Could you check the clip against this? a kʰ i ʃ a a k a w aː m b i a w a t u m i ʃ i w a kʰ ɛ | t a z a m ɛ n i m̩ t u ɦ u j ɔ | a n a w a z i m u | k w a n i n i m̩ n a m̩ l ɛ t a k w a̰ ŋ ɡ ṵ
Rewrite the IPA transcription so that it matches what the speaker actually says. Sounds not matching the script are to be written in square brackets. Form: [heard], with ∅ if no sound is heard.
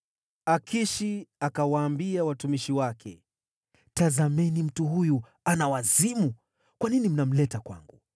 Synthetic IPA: a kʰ i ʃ [i] a k a w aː m b i a w a t u m i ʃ i w a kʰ ɛ | t a z a m ɛ n i m̩ t u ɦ u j [u] | a n a w a z i m u | k w a n i n i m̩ n a m̩ l ɛ t a k w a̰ ŋ ɡ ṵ